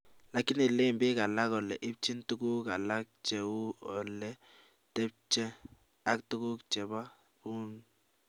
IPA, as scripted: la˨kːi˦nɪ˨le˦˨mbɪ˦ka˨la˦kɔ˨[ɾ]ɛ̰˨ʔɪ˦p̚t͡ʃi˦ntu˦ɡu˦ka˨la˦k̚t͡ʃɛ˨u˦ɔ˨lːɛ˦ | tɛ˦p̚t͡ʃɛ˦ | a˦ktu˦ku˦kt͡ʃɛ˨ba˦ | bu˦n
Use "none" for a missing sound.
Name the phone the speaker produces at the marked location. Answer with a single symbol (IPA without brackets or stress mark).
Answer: l